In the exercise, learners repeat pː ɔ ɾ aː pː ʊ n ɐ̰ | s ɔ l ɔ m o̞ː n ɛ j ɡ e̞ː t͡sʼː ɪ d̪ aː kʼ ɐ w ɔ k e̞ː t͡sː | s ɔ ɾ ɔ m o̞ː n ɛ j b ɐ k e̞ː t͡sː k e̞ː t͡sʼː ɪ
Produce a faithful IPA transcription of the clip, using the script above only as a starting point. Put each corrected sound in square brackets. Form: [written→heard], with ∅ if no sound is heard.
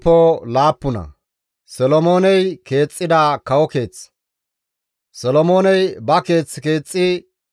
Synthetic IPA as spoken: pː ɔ [ɾ→l] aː pː ʊ n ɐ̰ | s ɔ l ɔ m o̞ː n ɛ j [ɡ→k] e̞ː t͡sʼː ɪ d̪ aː [kʼ→k] ɐ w ɔ k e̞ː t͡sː | s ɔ [ɾ→l] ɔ m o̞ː n ɛ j b ɐ k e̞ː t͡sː k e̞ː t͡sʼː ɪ

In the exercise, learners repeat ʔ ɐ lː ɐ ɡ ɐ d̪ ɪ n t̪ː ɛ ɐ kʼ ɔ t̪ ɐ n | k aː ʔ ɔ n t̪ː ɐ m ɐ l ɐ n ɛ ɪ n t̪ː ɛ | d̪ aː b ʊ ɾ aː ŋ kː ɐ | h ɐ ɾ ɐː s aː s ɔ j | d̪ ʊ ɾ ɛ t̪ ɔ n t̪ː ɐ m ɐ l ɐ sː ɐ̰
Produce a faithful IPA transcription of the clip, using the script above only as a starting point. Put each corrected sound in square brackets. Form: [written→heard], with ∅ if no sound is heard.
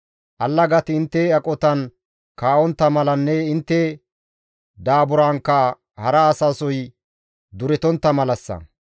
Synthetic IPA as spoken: ʔ ɐ lː ɐ ɡ ɐ [d̪→t̪] ɪ n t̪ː ɛ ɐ kʼ ɔ t̪ ɐ n | k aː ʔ ɔ n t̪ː ɐ m ɐ l ɐ [n→nː] ɛ ɪ n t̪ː ɛ | d̪ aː b ʊ ɾ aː ŋ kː ɐ | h ɐ ɾ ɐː s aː s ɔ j | d̪ ʊ ɾ ɛ t̪ ɔ n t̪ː ɐ m ɐ l ɐ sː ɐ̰

